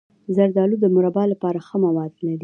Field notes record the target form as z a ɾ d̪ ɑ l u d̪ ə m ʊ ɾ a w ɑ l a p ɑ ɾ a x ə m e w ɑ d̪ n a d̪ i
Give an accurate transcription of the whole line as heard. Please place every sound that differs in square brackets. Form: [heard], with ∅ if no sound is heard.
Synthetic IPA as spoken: z a ɾ d̪ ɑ l u d̪ ə m ʊ ɾ a [b] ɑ l a p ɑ ɾ a x ə m [a] w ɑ d̪ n a d̪ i